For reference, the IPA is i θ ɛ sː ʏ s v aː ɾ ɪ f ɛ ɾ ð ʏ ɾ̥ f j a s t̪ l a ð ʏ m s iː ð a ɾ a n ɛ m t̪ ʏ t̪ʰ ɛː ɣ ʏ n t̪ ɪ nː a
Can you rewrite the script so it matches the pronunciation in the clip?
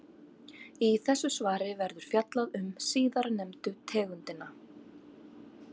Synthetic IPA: i θ ɛ sː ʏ s v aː ɾ ɪ v ɛ ɾ ð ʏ ɾ̥ f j a t̪ l a ð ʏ m s iː ð a ɾ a n ɛ m t̪ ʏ t̪ʰ ɛː ɣ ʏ n t̪ ɪ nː a